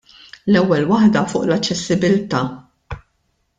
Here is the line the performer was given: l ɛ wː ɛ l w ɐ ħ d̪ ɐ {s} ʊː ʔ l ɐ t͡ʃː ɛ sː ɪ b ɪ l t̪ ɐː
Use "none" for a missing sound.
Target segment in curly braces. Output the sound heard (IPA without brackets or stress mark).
f